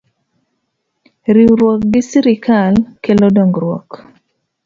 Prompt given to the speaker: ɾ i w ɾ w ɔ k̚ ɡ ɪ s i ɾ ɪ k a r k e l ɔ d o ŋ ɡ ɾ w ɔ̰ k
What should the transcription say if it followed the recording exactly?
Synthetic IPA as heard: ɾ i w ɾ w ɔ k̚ ɡ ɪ s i ɾ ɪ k a l k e l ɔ d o ŋ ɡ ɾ w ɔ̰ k